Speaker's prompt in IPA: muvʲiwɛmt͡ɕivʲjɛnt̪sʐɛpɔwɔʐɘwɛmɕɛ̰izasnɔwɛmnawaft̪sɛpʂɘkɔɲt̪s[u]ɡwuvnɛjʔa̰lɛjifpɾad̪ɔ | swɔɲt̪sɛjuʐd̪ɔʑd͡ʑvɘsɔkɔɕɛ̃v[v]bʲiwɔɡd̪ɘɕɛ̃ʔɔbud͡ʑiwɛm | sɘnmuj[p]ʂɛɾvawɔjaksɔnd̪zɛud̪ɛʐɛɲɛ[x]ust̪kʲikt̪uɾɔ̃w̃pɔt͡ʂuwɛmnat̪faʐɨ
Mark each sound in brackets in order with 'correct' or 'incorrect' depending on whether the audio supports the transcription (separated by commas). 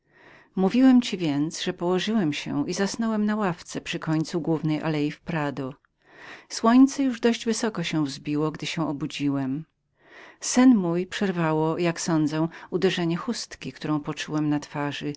correct, incorrect, correct, correct